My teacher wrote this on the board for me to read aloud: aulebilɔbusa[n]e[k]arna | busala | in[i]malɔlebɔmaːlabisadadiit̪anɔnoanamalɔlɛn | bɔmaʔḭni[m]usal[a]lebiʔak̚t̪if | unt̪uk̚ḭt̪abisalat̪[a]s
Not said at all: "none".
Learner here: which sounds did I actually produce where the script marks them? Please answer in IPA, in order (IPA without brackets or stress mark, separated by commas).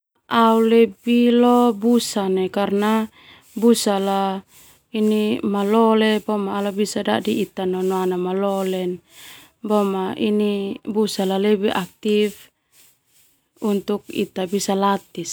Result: n, k, i, b, a, i